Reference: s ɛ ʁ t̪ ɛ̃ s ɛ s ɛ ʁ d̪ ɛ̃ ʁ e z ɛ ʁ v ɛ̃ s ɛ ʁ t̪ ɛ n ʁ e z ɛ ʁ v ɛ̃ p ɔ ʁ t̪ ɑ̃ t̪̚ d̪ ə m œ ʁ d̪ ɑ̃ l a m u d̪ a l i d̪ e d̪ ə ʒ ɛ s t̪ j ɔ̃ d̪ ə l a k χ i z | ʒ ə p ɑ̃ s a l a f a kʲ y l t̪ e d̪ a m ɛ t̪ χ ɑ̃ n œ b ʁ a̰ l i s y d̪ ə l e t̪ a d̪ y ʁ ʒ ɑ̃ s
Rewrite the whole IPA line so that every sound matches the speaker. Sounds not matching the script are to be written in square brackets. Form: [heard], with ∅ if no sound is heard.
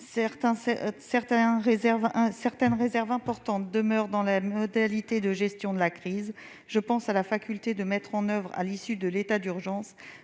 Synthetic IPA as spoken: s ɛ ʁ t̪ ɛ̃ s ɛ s ɛ ʁ [t̪] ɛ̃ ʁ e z ɛ ʁ v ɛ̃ s ɛ ʁ t̪ ɛ n ʁ e z ɛ ʁ v ɛ̃ p ɔ ʁ t̪ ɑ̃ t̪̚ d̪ ə m œ ʁ d̪ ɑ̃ l a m [ɔ] d̪ a l i [t̪] e d̪ ə ʒ ɛ s t̪ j ɔ̃ d̪ ə l a k χ i z | ʒ ə p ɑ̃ s a l a f a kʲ y l t̪ e d̪ [ə] m ɛ t̪ χ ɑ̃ n œ [v] ʁ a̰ l i s y d̪ ə l e t̪ a d̪ y ʁ ʒ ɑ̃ s